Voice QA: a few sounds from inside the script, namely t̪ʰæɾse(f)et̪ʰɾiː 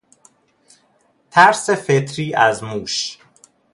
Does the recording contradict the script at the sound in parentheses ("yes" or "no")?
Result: no